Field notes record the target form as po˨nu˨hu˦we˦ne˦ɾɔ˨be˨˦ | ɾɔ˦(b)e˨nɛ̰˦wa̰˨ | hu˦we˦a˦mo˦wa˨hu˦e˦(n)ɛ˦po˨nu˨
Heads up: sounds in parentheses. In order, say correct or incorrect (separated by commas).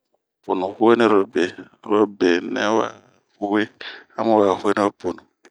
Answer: correct, correct